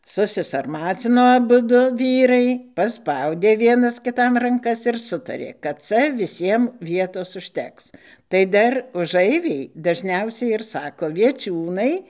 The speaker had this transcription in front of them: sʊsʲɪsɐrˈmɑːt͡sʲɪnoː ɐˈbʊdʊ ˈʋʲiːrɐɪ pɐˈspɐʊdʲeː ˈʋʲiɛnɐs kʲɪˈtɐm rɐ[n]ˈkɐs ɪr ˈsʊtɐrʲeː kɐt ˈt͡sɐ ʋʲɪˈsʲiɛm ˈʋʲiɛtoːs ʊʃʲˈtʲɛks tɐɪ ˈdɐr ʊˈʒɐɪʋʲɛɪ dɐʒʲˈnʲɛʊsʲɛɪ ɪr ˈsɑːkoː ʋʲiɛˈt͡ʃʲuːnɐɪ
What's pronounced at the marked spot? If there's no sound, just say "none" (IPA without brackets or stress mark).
ŋ